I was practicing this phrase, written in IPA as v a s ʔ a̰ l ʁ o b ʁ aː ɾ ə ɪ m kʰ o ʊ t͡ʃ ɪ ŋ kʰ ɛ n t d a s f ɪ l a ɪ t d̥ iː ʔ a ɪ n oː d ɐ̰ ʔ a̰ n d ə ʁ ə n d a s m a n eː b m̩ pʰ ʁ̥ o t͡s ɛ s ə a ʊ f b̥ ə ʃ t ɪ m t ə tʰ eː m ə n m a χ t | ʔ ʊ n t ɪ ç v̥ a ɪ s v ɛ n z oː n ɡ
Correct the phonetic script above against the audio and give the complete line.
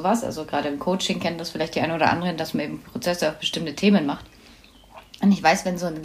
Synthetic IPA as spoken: v a s ʔ a̰ l z o ɡ ʁ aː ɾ ə ɪ m kʰ o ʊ t͡ʃ ɪ ŋ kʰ ɛ n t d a s f ɪ l a ɪ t d̥ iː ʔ a ɪ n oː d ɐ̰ ʔ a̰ n d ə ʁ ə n d a s m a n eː b m̩ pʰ ʁ̥ o t͡s ɛ s ə a ʊ f b̥ ə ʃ t ɪ m t ə tʰ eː m ə n m a χ t | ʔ ʊ n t ɪ ç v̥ a ɪ s v ɛ n z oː n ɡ